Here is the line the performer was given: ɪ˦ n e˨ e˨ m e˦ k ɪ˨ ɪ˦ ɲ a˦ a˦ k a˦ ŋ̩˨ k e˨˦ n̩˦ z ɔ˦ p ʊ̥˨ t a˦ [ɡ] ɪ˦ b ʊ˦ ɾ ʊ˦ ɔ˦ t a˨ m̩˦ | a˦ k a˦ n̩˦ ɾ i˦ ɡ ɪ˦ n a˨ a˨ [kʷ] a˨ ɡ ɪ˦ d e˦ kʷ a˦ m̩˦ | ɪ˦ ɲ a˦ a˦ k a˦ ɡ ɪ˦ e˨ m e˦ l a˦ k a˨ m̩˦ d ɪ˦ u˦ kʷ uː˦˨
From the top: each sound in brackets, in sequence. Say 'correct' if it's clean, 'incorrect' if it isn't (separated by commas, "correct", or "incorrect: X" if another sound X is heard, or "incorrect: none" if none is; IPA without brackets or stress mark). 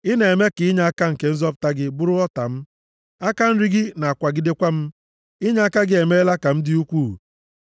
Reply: correct, correct